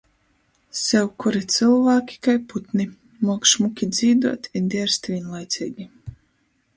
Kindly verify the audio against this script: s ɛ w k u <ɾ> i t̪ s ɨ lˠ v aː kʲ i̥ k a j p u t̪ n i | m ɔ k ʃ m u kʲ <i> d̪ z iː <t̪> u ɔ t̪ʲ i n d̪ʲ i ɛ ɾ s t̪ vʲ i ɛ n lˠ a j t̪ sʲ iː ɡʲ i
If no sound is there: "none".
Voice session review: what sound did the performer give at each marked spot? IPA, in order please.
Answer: ɾ, i, d̪

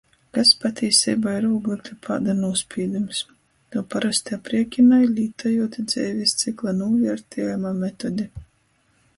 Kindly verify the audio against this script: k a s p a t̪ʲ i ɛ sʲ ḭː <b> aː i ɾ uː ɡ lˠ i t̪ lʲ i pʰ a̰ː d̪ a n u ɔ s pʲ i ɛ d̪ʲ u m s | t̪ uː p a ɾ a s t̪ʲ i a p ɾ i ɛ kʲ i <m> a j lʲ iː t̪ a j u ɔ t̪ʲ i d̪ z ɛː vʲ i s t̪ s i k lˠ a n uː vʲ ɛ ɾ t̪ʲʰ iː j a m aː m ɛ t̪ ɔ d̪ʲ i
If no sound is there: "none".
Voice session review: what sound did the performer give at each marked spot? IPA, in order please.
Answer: b, n

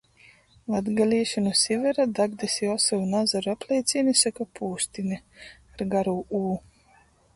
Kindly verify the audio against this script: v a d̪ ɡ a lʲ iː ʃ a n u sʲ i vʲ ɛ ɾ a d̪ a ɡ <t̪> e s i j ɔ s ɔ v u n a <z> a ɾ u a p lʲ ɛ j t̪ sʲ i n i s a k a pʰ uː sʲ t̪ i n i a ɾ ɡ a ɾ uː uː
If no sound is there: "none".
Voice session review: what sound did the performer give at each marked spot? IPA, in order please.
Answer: d̪, z

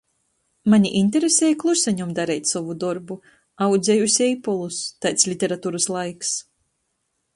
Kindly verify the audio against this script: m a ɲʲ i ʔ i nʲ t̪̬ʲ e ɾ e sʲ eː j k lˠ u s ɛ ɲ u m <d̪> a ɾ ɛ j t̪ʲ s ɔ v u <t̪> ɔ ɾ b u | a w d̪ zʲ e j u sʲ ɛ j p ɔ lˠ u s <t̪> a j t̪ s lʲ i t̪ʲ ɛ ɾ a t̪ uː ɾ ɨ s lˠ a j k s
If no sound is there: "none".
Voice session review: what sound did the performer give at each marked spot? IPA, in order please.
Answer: d̪, d̪, t̪

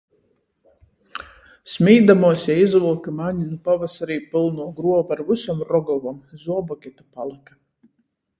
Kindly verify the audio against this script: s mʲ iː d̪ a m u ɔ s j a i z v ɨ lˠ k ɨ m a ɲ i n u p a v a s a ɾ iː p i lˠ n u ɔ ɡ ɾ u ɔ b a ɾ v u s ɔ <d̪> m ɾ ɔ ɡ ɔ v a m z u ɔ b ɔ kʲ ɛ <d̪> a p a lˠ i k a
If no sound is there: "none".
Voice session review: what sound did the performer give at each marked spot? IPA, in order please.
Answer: none, t̪

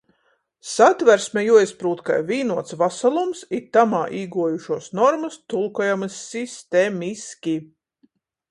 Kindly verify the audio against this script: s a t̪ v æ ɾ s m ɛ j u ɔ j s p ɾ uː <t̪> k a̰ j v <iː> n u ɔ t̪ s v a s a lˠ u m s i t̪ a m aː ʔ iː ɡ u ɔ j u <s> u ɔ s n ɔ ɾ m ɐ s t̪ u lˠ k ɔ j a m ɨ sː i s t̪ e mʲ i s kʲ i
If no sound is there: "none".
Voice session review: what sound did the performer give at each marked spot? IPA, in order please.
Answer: t̪, iː, ʃ

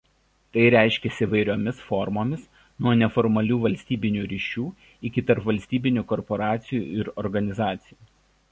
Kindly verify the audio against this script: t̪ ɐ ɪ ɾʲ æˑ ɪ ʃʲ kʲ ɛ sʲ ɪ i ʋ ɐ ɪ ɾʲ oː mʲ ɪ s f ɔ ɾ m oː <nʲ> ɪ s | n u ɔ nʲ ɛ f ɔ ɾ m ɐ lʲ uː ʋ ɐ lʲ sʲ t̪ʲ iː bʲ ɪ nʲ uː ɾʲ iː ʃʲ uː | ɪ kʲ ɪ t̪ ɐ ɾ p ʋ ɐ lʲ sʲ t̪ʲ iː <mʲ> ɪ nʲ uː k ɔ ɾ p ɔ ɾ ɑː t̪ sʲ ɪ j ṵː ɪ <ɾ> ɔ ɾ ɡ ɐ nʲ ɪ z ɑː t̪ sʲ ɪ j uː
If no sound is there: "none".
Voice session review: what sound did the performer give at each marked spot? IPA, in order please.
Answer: mʲ, bʲ, ɾ

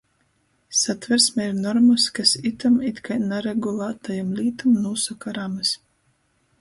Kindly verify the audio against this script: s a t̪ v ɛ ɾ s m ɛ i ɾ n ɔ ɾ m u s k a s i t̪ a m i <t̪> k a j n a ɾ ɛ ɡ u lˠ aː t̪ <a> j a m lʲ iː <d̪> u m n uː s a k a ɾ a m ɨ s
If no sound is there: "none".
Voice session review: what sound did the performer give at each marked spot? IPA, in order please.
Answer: t̪, a, t̪

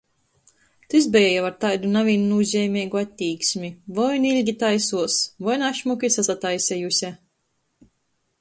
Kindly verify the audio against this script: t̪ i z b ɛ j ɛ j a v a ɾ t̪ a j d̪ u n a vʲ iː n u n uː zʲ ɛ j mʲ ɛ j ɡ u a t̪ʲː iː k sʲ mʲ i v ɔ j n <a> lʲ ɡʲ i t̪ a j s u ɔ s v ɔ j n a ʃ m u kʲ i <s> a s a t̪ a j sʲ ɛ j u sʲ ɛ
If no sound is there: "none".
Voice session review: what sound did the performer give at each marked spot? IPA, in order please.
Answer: i, s

